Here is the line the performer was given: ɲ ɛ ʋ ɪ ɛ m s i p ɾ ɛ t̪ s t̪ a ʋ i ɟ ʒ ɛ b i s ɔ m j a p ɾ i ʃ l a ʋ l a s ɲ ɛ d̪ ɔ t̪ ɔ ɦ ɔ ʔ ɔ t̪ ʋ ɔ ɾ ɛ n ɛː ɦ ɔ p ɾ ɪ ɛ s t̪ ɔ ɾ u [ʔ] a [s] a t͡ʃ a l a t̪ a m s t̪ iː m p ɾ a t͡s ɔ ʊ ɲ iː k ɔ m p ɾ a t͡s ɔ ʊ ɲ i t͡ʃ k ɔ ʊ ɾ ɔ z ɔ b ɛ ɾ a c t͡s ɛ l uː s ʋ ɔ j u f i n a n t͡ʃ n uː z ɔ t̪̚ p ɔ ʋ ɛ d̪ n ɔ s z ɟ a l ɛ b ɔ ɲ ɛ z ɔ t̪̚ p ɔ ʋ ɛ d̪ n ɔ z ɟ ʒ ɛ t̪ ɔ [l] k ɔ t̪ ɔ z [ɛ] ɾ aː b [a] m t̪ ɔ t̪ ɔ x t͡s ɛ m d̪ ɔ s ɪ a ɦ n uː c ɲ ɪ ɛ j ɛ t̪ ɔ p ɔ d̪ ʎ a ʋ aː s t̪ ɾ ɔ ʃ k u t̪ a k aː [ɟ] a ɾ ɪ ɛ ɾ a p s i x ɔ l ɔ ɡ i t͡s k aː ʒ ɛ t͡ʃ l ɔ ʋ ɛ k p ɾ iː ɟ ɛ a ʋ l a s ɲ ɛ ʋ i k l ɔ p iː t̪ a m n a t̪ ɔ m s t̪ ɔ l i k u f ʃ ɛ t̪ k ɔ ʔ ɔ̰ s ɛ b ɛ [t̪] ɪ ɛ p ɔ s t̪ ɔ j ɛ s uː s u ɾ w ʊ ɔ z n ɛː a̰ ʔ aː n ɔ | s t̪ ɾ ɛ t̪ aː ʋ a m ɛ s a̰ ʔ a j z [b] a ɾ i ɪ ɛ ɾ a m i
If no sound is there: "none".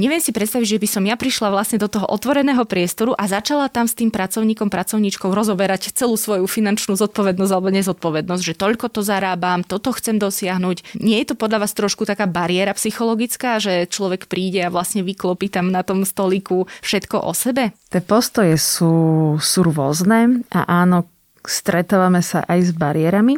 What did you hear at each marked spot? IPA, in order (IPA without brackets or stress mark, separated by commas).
ʔ, z, ʎ, a, a, b, t̪, b